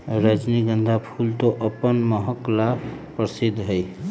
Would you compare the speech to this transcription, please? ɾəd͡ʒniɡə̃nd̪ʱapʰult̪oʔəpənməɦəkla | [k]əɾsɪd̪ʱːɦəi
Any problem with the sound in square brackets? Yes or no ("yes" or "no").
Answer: yes